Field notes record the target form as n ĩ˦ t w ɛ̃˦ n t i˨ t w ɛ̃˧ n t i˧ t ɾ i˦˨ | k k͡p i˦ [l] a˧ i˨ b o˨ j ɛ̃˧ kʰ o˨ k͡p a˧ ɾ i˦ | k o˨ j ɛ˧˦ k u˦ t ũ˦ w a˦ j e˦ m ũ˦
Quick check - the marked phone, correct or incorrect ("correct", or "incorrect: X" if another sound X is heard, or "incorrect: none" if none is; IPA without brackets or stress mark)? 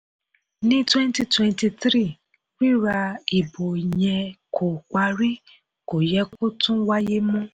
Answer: incorrect: ɾ